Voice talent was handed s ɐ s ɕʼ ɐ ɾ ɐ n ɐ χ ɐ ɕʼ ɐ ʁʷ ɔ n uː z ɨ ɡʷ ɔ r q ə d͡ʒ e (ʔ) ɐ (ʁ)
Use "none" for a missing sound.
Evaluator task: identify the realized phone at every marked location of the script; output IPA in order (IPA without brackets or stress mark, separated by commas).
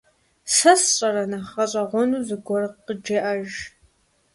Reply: ʔ, ʒ